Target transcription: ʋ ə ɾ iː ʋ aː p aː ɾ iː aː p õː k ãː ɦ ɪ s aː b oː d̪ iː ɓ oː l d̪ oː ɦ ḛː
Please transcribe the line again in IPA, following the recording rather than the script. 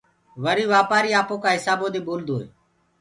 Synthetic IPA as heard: ʋ ə ɾ iː ʋ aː p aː ɾ iː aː p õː k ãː ɦ ɪ s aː b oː d̪ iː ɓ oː l d̪ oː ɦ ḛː